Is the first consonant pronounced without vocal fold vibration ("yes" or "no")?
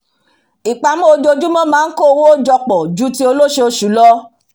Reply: yes